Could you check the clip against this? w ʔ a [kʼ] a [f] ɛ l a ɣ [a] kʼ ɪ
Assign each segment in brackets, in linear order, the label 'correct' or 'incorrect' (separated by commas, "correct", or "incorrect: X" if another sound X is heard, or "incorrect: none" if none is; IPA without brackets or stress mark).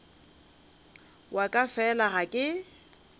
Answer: correct, correct, correct